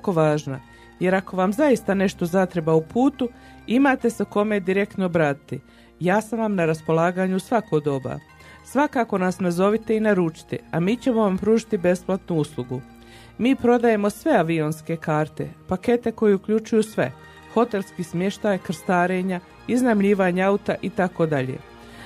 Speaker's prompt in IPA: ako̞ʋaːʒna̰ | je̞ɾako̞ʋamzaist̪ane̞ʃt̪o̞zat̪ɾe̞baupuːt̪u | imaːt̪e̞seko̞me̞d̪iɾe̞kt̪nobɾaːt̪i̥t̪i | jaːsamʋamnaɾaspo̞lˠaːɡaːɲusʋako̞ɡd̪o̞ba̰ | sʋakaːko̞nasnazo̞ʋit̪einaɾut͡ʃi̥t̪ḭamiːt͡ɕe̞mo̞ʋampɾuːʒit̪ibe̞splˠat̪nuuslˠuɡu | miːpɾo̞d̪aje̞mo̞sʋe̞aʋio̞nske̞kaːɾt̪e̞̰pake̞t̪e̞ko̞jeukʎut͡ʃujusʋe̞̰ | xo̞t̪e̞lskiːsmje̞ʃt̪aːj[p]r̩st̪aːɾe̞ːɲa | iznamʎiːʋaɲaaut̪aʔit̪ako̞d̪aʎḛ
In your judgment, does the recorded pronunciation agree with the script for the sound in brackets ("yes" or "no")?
no